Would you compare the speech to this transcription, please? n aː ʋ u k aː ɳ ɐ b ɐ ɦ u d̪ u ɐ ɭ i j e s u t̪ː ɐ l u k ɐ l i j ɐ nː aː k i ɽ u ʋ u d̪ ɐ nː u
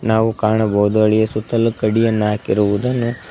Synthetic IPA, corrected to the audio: n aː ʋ u k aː ɳ ɐ b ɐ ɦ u d̪ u ɐ ɭ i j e s u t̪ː ɐ l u k ɐ ɽ i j ɐ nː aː k i ɾ u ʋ u d̪ ɐ nː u